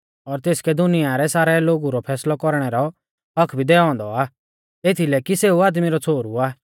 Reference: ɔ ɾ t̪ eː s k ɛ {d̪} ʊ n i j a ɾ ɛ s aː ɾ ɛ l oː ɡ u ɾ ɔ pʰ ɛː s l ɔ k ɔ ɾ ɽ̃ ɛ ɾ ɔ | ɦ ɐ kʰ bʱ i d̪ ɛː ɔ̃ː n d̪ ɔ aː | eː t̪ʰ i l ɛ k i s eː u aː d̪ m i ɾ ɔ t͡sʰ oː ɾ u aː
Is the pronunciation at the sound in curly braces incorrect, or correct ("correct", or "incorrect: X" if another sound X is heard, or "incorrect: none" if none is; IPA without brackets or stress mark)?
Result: correct